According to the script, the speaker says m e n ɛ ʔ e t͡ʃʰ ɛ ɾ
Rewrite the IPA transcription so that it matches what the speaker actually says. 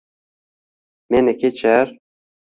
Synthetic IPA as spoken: m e n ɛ k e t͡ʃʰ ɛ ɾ